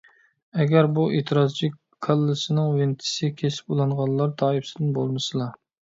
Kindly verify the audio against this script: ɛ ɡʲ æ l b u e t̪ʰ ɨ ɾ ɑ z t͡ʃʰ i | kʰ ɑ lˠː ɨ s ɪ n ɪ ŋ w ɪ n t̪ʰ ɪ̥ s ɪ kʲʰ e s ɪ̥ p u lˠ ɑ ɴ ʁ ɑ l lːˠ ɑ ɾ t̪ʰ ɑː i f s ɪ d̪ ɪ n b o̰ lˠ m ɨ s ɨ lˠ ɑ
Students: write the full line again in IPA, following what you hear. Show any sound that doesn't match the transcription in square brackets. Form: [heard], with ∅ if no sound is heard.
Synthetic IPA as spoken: ɛ ɡʲ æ [ɾ] b u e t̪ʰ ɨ ɾ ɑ z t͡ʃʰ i | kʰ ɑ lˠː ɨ s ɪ n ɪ ŋ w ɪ n t̪ʰ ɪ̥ s ɪ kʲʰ e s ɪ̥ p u lˠ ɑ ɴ ʁ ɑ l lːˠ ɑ ɾ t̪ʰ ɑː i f s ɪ d̪ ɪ n b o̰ lˠ m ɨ s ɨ lˠ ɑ